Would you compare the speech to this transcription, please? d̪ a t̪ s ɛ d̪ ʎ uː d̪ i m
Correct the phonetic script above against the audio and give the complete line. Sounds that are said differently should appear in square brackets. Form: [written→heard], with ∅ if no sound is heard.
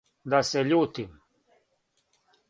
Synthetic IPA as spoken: d̪ a [t̪→∅] s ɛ [d̪→∅] ʎ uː [d̪→t̪] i m